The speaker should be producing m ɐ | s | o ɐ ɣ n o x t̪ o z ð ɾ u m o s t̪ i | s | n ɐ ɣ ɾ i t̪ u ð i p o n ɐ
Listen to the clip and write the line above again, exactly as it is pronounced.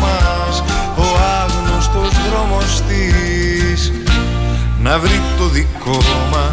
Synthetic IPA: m ɐ | s | o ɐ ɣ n o s t̪ o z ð ɾ o m o s t̪ i | s | n ɐ v ɾ i t̪ o ð i k o m ɐ